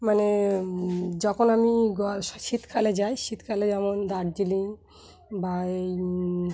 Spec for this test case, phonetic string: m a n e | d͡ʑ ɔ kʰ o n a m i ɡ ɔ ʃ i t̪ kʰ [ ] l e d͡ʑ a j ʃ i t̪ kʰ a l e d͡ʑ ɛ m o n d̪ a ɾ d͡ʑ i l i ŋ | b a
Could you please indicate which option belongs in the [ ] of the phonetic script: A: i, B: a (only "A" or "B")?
B